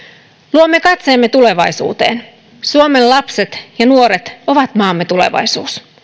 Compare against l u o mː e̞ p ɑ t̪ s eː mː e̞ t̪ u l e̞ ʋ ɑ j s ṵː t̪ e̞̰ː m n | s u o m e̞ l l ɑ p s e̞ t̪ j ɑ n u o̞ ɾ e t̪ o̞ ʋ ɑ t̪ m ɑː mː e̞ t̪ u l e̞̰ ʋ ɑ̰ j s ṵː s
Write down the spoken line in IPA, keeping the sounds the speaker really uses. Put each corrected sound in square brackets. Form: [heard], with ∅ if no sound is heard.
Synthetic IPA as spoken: l u o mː e̞ [k] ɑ t̪ s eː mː e̞ t̪ u l e̞ ʋ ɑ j s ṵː t̪ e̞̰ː [∅] n | s u o m e̞ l l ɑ p s e̞ t̪ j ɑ n u o̞ ɾ e t̪ o̞ ʋ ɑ t̪ m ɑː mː e̞ t̪ u l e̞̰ ʋ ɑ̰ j s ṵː s